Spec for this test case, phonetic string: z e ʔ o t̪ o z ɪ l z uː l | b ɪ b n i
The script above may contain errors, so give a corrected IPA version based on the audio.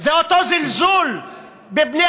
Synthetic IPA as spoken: z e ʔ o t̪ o z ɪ l z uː l | b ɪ b n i